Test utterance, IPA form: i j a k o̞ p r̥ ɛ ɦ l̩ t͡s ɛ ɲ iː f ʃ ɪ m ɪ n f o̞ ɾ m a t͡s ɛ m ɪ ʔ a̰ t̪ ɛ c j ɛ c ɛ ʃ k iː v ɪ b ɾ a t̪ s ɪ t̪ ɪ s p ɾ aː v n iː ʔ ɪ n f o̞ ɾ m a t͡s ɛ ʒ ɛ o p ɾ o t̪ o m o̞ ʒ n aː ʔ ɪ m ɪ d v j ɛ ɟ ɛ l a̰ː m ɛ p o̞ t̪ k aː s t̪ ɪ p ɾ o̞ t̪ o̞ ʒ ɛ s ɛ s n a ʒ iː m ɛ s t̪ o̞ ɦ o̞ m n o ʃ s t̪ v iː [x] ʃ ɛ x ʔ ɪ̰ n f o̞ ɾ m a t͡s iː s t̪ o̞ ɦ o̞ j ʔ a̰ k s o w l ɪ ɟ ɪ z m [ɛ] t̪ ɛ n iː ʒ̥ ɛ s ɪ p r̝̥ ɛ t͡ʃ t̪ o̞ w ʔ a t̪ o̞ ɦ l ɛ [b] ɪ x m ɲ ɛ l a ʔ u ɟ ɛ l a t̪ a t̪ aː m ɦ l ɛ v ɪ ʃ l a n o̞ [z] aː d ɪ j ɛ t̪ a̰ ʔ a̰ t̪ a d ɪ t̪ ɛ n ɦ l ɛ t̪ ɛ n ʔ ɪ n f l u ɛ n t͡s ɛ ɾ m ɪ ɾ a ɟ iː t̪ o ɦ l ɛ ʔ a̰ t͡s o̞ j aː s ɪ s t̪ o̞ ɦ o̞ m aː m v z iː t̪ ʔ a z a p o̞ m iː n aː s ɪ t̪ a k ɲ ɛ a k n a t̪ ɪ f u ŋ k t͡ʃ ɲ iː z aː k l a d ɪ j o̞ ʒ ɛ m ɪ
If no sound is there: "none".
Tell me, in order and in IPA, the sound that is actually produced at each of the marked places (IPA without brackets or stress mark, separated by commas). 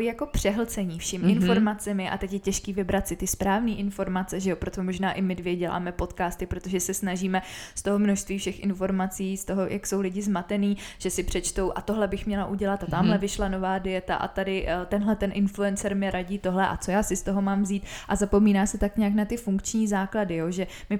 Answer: f, a, b, v